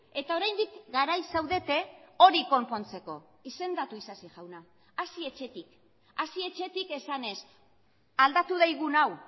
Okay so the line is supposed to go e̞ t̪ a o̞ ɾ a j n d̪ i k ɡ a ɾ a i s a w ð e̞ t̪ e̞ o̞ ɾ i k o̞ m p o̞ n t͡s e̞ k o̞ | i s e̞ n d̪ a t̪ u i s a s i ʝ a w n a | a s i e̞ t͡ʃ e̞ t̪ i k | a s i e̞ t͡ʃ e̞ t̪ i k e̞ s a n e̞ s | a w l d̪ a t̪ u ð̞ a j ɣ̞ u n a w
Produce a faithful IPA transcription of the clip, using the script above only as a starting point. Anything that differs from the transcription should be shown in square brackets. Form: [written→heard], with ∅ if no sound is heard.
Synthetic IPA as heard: e̞ t̪ a o̞ ɾ a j n d̪ i k ɡ a ɾ a [i→j] s a w ð e̞ t̪ e̞ o̞ ɾ i k o̞ m p o̞ n t͡s e̞ k o̞ | i s e̞ n d̪ a t̪ u i s a s i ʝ a w n a | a s i e̞ t͡ʃ e̞ t̪ i k | a s i e̞ t͡ʃ e̞ t̪ i k e̞ s a n e̞ s | a [w→∅] l d̪ a t̪ u ð̞ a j ɣ̞ u n a w